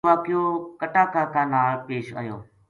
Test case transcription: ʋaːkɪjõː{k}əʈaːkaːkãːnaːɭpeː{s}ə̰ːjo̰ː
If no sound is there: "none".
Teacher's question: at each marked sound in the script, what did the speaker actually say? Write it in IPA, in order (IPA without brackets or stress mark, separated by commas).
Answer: k, ʃ